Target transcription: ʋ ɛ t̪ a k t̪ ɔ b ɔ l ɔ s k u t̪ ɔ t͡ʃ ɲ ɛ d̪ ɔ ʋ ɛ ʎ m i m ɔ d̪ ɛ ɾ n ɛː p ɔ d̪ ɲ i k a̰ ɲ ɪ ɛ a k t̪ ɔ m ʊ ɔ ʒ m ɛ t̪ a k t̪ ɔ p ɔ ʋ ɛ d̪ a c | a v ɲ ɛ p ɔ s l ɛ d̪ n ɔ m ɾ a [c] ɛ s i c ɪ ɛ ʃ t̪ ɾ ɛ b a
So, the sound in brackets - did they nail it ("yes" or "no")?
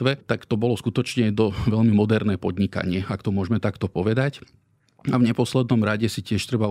no